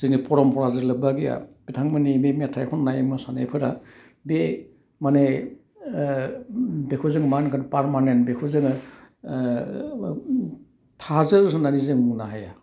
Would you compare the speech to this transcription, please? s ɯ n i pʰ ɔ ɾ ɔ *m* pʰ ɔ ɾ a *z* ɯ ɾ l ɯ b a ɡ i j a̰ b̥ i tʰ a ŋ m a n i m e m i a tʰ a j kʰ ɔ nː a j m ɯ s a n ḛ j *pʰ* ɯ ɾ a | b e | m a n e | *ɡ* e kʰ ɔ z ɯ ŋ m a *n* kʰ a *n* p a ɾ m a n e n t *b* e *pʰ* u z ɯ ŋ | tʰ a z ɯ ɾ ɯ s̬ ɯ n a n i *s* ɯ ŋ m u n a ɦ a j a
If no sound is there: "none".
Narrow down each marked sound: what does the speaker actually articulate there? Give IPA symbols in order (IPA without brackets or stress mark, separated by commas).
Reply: m, z, pʰ, b, n, n, b, kʰ, z